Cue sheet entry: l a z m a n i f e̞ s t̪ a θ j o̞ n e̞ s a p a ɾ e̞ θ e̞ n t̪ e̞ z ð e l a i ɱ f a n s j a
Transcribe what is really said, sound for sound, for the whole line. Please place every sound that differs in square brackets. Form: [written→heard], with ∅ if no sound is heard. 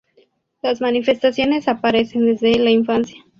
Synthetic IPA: l a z m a n i f e̞ s t̪ a [θ→s] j o̞ n e̞ s a p a ɾ e̞ [θ→s] e̞ n [t̪→d̪] e̞ z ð e l a i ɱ f a n s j a